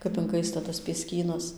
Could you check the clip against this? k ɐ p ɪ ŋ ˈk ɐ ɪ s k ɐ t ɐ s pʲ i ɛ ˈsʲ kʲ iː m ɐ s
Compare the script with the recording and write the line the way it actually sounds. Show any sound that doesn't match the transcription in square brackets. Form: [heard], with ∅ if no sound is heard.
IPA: k ɐ p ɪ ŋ ˈk ɐ ɪ s [t] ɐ t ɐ s pʲ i ɛ ˈsʲ kʲ iː [n] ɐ s